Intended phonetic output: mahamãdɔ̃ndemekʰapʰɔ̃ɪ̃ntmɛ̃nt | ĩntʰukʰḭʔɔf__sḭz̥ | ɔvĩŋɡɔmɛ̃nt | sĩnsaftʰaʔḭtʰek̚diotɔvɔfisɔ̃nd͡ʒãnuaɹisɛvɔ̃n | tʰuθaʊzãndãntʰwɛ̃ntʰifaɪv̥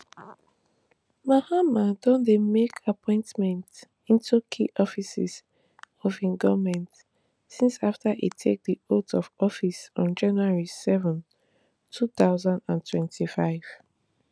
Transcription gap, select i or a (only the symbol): i